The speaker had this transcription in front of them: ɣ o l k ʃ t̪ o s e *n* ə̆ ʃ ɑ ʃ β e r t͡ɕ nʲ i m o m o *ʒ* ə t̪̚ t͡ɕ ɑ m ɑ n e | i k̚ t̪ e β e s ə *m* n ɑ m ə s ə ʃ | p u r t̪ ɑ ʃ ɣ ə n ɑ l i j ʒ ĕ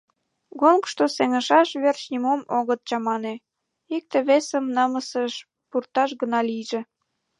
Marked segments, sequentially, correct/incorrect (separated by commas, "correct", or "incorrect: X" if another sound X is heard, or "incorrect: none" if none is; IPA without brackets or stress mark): incorrect: ŋ, incorrect: ɣ, correct